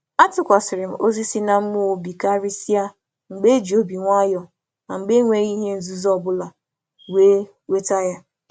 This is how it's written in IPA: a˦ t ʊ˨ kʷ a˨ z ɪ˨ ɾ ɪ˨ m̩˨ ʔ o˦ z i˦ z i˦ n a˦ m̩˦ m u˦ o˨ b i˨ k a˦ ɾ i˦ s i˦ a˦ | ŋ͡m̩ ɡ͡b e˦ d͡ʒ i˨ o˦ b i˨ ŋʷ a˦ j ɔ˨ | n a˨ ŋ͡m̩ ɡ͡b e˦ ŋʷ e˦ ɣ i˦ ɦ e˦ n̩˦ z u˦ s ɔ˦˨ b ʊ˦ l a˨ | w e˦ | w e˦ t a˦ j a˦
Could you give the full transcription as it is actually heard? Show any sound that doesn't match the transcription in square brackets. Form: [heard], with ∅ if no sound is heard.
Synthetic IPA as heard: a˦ t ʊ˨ kʷ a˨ [s] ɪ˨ ɾ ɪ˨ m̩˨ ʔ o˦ z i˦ [s] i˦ n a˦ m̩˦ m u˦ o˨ b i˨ k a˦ ɾ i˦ s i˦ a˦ | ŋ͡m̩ ɡ͡b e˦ d͡ʒ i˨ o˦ b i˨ ŋʷ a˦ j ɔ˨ | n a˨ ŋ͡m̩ ɡ͡b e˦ ŋʷ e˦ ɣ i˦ ɦ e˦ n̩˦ z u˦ [z] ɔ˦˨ b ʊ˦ l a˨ | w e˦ | w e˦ t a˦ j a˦